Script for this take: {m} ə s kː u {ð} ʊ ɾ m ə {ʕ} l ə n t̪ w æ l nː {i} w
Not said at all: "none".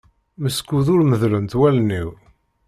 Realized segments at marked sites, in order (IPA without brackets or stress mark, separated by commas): m, ð, ð, i